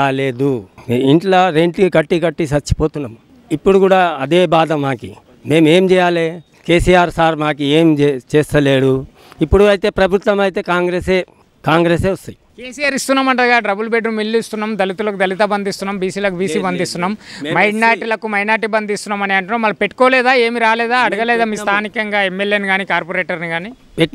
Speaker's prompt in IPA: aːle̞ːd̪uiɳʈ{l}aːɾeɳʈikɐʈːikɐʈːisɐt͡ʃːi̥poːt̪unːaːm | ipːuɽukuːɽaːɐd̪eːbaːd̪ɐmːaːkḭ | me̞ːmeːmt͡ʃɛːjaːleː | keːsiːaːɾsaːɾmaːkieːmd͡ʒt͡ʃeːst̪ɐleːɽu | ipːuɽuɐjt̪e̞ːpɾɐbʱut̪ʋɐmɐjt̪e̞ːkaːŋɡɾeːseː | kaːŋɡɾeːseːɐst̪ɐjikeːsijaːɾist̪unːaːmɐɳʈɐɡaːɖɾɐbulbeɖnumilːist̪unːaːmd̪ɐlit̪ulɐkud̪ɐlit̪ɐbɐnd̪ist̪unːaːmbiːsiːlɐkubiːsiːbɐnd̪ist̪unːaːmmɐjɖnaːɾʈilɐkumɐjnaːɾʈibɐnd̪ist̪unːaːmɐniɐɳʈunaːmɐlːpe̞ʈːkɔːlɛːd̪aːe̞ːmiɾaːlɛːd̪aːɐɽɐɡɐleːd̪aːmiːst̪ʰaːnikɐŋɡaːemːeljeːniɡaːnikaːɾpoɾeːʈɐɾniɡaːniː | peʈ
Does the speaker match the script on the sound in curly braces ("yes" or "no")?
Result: yes